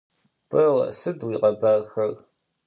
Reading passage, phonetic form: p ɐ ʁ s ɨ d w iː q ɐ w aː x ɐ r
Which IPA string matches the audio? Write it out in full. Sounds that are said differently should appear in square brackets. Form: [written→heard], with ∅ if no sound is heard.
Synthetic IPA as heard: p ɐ ʁ s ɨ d w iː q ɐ [w→b] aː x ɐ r